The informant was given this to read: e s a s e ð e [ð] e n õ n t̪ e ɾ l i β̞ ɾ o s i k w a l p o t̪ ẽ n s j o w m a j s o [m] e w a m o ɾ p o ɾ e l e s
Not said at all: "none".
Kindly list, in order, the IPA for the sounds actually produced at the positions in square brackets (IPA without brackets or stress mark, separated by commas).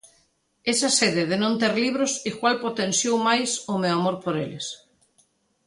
ð, m